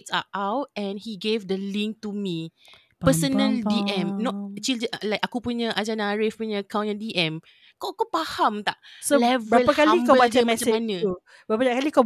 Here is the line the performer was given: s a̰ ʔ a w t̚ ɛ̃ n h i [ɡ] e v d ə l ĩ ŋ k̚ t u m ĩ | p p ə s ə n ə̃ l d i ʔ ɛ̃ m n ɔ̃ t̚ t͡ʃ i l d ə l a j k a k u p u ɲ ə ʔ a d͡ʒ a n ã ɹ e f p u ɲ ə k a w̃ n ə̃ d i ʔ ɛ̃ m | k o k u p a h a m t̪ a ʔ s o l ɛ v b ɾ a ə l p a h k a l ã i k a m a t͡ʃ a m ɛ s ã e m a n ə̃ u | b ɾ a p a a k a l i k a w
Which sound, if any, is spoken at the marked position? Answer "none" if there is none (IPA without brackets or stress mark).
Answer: ɡ